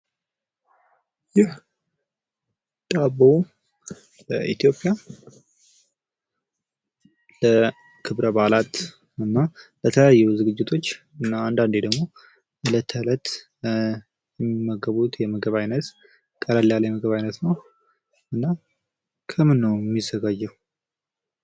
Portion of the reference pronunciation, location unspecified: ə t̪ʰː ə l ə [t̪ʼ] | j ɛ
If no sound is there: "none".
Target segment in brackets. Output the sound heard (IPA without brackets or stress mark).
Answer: t̪